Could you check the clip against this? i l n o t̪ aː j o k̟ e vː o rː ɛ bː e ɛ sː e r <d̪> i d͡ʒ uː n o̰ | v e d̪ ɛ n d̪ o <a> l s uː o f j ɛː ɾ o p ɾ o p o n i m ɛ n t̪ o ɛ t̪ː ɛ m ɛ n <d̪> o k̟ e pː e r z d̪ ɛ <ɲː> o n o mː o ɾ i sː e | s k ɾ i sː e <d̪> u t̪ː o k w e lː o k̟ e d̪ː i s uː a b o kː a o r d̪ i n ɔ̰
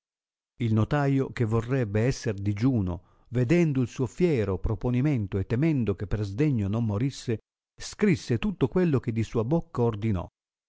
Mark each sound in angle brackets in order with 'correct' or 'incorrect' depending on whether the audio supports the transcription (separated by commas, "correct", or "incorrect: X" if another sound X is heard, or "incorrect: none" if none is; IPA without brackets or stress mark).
correct, incorrect: i, correct, correct, incorrect: t̪